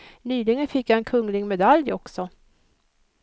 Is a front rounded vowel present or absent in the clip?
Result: present